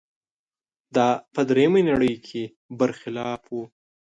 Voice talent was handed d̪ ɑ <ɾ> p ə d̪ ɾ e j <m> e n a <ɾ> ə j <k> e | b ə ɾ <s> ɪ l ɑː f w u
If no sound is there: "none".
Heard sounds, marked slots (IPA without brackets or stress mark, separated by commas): none, m, ɽ, kʰ, x